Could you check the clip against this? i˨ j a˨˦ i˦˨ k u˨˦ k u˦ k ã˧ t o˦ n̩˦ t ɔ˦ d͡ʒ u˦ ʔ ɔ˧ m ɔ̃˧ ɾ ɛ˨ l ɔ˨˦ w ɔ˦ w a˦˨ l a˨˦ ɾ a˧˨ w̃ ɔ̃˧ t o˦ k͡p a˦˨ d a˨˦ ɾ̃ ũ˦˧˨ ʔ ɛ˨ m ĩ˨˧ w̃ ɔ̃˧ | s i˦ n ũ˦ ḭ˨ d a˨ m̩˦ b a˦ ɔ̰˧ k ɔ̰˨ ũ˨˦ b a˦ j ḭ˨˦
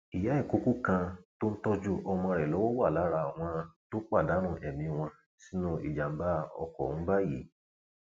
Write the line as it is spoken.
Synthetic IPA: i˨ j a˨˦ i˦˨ k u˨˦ k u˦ k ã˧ t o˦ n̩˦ t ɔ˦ d͡ʒ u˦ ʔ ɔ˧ m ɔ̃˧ ɾ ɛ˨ l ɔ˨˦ w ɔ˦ w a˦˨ l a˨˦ ɾ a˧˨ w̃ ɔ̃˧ t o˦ k͡p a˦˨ d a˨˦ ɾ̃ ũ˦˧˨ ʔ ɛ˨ m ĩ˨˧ w̃ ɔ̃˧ | s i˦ n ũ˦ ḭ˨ d͡ʒ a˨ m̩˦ b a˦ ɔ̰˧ k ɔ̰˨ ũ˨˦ b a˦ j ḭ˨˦